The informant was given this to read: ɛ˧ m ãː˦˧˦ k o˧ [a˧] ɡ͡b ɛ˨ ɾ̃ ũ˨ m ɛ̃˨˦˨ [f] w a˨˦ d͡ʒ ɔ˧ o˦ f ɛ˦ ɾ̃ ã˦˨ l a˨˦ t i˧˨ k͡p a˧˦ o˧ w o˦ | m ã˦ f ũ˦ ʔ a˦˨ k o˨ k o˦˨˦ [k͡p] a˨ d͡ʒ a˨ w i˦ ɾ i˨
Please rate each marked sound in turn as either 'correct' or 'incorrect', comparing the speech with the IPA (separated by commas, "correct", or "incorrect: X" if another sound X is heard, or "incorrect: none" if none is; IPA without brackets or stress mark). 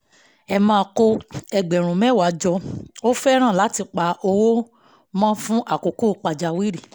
incorrect: ɛ˧, incorrect: none, correct